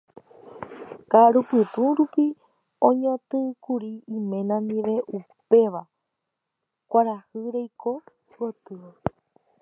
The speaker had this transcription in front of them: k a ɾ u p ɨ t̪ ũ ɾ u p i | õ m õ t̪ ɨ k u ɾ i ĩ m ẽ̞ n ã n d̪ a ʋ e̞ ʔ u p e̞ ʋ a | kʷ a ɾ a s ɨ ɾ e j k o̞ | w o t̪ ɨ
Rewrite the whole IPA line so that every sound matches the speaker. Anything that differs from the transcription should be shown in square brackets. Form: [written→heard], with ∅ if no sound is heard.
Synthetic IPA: k a ɾ u p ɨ t̪ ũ ɾ u p i | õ [m→ɲ] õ t̪ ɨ k u ɾ i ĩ m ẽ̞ n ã n d̪ [a→i] ʋ e̞ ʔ u p e̞ ʋ a | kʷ a ɾ a [s→h] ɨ ɾ e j k o̞ | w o t̪ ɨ